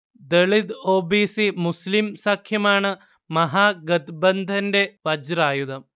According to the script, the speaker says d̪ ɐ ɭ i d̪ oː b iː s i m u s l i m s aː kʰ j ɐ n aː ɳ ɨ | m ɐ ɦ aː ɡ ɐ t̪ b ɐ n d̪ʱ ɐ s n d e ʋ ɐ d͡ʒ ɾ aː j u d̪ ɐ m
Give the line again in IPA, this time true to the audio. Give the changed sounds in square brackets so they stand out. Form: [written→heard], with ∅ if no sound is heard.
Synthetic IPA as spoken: d̪ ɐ ɭ i d̪ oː b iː s i m u s l i m s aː kʰ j ɐ [n→m] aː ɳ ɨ | m ɐ ɦ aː ɡ ɐ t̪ b ɐ n d̪ʱ ɐ [s→∅] n d e ʋ ɐ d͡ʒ ɾ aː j u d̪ ɐ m